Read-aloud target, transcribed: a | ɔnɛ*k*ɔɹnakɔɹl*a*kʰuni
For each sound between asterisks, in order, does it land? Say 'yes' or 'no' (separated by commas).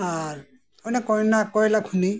yes, yes